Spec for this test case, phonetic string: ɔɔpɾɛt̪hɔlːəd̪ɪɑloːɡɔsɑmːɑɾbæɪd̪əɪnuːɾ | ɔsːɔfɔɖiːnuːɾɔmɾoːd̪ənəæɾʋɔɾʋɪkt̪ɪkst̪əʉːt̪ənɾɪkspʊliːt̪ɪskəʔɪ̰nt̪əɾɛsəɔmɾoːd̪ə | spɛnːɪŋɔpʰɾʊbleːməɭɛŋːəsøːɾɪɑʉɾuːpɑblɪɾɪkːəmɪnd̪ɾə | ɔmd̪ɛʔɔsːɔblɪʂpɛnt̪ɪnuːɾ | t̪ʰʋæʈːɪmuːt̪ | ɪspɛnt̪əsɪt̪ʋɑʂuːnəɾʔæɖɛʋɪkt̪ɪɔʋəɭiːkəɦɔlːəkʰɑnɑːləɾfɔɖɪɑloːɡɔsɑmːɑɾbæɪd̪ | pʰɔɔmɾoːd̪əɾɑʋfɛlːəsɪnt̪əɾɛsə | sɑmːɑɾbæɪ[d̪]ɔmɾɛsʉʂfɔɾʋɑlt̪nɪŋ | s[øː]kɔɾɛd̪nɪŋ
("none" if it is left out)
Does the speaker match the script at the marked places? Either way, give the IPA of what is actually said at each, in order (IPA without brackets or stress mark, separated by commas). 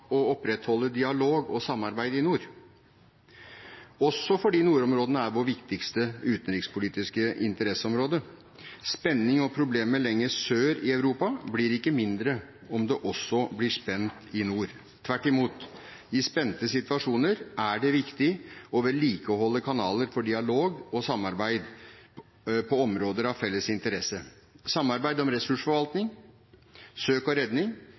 d̪, øː